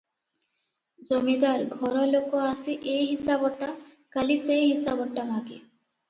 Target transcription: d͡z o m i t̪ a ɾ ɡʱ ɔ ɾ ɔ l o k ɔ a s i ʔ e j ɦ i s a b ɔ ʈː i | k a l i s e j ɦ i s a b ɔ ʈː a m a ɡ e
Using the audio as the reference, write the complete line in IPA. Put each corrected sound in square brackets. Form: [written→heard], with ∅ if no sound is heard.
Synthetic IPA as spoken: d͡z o m i [t̪→d̪] a ɾ ɡʱ ɔ ɾ ɔ l o k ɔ a s i ʔ e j ɦ i s a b ɔ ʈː [i→a] | k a l i s e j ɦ i s a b ɔ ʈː a m a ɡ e